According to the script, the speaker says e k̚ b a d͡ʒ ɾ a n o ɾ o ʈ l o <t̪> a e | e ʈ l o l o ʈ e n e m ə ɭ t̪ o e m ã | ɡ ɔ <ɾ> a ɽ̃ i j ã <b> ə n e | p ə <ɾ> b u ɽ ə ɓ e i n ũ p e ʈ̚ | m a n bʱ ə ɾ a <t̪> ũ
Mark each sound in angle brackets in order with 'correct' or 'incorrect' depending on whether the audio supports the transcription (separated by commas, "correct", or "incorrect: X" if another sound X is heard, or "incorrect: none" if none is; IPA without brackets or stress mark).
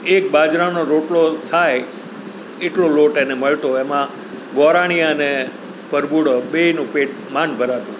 incorrect: t̪ʰ, correct, incorrect: none, correct, correct